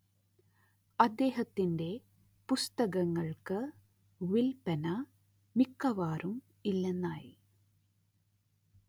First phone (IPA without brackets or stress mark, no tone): ɐ